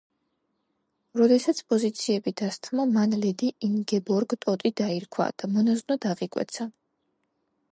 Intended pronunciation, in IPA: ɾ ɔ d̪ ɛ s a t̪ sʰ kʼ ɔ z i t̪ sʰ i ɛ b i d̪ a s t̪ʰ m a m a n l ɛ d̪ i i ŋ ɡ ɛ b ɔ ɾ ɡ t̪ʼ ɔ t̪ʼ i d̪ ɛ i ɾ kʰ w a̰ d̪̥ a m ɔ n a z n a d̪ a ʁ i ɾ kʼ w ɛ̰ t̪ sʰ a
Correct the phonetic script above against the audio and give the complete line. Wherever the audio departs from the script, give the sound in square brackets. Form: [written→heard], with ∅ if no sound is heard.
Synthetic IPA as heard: ɾ ɔ d̪ ɛ s a t̪ sʰ [kʼ→pʼ] ɔ z i t̪ sʰ i ɛ b i d̪ a s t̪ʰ m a m a n l ɛ d̪ i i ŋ ɡ ɛ b ɔ ɾ ɡ t̪ʼ ɔ t̪ʼ i d̪ [ɛ→a] i ɾ kʰ w a̰ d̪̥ a m ɔ n a z n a d̪ a ʁ i [ɾ→∅] kʼ w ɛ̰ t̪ sʰ a